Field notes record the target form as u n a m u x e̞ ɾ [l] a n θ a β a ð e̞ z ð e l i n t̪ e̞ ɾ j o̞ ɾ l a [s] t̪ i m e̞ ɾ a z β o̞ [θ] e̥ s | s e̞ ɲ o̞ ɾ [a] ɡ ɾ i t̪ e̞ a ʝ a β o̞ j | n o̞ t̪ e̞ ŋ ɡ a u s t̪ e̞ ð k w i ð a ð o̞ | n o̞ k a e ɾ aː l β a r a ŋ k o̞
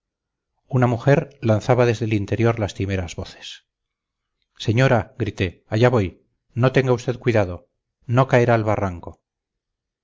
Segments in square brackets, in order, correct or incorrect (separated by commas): correct, correct, correct, correct